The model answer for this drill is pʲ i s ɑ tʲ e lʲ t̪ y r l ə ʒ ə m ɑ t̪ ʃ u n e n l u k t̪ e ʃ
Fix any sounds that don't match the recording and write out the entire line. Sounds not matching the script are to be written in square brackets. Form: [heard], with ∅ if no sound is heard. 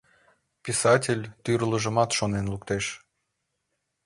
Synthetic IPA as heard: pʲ i s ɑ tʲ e lʲ t̪ y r l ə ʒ ə m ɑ t̪ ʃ [o] n e n l u k t̪ e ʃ